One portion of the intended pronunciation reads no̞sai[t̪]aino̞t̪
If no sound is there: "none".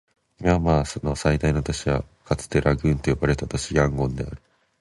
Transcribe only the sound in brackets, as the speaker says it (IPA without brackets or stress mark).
d̪